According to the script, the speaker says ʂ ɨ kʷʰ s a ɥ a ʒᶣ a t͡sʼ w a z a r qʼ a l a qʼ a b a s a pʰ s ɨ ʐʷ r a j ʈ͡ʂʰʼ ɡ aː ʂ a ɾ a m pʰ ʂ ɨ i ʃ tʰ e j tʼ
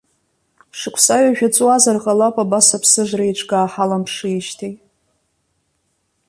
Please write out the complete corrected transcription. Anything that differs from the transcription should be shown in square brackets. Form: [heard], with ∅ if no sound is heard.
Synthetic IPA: ʂ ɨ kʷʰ s a ɥ a ʒᶣ a t͡sʼ w a z a r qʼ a l a [pʼ] a b a s a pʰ s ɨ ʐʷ r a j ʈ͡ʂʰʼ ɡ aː [ħ] a [l] a m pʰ ʂ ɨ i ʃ tʰ e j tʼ

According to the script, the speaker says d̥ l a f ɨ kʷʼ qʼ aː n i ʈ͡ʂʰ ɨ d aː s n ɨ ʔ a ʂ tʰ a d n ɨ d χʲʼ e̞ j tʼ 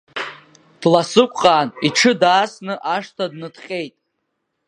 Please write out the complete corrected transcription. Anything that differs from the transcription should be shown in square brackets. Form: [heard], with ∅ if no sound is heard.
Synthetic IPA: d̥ l a [s] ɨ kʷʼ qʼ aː n i ʈ͡ʂʰ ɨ d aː s n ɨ ʔ a ʂ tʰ a d n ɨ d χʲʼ e̞ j tʼ

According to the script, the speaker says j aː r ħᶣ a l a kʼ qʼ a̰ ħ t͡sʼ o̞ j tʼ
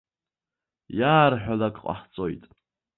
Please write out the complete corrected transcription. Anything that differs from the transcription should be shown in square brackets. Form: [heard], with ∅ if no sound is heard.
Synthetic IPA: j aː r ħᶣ a l a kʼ qʼ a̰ ħ t͡sʼ o̞ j tʼ

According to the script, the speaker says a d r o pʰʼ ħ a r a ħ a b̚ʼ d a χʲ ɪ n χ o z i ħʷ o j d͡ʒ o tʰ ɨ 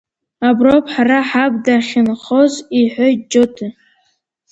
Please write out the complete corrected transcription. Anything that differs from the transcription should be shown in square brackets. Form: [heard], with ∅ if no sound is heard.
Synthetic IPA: a [b] r o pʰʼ ħ a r a ħ a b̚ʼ d a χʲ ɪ n χ o z i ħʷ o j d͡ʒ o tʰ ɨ

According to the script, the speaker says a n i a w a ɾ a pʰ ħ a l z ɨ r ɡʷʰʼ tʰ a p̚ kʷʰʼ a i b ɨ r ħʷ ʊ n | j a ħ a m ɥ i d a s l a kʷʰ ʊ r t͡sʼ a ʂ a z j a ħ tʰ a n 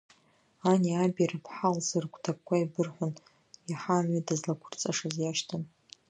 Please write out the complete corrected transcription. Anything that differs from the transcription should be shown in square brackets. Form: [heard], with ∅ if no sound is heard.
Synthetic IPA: a n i a [b] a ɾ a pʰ ħ a l z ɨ r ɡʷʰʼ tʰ a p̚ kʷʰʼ a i b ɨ r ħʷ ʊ n | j a ħ a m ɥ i d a [z] l a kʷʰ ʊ r t͡sʼ a ʂ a z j a [ʃ] tʰ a n

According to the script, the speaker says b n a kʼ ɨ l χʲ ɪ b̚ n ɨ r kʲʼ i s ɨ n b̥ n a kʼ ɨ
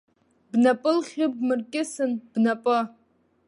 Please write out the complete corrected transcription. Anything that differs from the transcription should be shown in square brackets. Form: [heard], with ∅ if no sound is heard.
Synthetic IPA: b n a [pʼ] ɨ l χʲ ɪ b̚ [m] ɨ r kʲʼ [ɪ] s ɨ n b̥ n a [pʼ] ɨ

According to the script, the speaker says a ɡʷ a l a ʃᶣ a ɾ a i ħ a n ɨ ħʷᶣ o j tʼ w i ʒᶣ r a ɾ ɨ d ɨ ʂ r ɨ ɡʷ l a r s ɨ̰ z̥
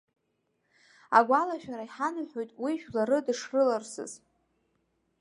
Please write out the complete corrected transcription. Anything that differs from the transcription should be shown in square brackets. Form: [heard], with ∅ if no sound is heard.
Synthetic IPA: a ɡʷ a l a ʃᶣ a ɾ a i ħ a n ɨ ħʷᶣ o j tʼ w i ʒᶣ [l] a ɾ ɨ d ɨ ʂ r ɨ [∅] l a r s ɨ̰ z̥

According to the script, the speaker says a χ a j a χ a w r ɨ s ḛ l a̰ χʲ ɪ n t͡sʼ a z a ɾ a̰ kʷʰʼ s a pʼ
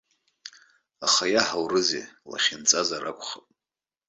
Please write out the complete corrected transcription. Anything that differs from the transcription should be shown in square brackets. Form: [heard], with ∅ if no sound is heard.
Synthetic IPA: a χ a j a [ħ] a w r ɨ [z] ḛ l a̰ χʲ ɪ n t͡sʼ a z a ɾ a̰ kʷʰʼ [χ] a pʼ

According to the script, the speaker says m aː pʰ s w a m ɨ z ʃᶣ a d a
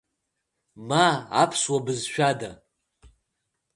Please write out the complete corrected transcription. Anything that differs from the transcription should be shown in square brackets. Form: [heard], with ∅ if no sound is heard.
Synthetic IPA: m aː pʰ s w a [b] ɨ z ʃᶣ a d a

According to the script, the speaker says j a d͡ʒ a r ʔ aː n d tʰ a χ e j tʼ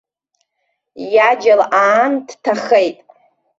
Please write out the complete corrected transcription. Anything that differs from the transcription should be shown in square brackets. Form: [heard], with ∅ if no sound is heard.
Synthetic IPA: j a d͡ʒ a [l] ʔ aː n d tʰ a χ e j tʼ

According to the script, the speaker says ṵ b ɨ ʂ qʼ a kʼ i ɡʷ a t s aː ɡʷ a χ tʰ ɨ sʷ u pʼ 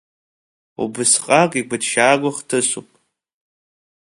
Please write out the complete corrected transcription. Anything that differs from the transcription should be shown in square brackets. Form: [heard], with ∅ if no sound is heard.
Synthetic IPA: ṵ b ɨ [s] qʼ a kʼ i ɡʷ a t [ʃ] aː ɡʷ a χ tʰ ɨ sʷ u pʼ

